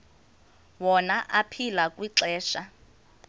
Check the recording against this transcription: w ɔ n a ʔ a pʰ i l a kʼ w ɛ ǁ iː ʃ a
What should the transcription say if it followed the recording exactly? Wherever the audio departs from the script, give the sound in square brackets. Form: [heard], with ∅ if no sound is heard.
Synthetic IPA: w ɔ n a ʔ a pʰ i l a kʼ w [i] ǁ [ɛː] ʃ a

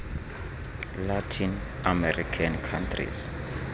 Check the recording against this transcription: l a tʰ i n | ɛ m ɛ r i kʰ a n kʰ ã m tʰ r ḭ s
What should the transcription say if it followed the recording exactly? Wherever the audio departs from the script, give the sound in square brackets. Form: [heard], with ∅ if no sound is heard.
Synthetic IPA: l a tʰ i n | [a] m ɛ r i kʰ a n kʰ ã [n] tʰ r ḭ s

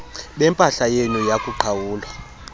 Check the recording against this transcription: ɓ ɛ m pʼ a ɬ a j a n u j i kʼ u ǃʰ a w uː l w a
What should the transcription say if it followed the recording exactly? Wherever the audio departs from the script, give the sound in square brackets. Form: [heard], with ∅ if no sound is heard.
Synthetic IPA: ɓ ɛ m pʼ a ɬ a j [e] n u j [a] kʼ u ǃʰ a w uː l w a

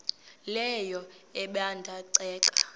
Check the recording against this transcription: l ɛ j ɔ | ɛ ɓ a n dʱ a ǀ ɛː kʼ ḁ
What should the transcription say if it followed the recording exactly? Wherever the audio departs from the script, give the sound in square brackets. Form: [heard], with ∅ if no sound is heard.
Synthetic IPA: l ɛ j ɔ | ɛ ɓ a n dʱ a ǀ ɛː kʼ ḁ

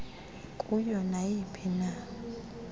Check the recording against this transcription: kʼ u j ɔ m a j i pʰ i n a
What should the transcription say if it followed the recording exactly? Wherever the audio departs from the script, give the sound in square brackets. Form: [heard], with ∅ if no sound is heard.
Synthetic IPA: kʼ u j ɔ [n] a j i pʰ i n a

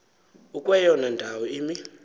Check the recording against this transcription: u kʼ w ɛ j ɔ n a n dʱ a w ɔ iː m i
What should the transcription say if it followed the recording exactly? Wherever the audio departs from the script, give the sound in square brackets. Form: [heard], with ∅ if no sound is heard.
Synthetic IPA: u kʼ w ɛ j ɔ n a n dʱ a w ɔ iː m i

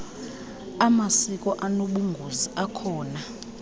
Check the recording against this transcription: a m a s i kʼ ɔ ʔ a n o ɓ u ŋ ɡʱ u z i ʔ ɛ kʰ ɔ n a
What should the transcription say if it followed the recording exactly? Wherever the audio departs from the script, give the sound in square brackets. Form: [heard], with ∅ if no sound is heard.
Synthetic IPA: a m a s i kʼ ɔ ʔ a n o ɓ u ŋ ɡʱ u z i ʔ [a] kʰ [ɔː] n a

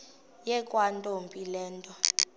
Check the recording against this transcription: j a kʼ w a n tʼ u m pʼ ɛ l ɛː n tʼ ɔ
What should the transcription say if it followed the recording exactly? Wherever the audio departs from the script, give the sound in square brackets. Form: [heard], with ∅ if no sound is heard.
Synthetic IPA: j [ɛ] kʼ w a n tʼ [o] m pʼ [i] l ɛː n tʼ ɔ

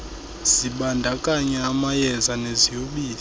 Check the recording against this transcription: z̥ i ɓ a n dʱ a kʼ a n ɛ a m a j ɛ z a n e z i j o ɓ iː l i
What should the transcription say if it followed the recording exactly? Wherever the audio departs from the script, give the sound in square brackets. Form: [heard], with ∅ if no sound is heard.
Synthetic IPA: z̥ i ɓ a n dʱ a kʼ a [ɲ] ɛ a m a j ɛ z a n e z i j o ɓ iː l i

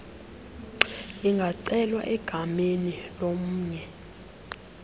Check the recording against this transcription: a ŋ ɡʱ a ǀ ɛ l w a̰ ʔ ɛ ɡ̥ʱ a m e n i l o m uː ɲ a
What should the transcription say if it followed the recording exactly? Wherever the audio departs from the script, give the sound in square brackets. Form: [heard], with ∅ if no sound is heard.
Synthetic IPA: [i] ŋ ɡʱ a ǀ ɛ l w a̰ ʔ ɛ ɡ̥ʱ a m e n i l o m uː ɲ [ɛ]

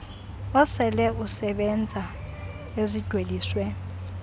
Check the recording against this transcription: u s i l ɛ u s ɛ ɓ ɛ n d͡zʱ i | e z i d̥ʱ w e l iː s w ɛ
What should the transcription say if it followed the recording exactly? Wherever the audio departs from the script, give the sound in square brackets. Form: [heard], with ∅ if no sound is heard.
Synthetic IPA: [ɔ] s [ɛ] l ɛ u s ɛ ɓ ɛ n d͡zʱ [a] | e z i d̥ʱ w e l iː s w ɛ

